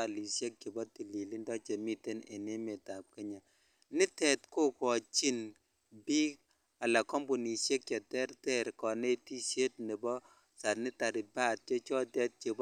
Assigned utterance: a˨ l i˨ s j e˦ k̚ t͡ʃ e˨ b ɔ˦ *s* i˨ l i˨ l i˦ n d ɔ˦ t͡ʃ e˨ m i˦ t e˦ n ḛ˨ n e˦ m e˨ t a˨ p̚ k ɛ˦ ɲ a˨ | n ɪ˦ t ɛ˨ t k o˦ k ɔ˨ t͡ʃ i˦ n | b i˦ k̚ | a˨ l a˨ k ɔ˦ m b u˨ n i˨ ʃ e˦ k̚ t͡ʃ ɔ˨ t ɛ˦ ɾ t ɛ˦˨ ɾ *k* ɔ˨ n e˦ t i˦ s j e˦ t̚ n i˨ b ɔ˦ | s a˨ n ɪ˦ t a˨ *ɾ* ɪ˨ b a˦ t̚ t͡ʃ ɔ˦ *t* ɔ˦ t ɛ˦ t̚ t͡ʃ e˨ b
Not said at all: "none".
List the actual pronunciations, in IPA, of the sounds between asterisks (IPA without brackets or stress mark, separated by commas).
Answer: t, k, ɾ, t͡ʃ